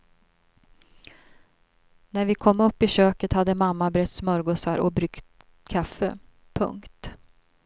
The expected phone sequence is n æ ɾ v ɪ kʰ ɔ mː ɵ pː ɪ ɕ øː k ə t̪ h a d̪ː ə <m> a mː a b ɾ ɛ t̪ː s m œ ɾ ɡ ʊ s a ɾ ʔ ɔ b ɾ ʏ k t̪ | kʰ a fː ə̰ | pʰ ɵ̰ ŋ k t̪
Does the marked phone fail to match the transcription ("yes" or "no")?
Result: no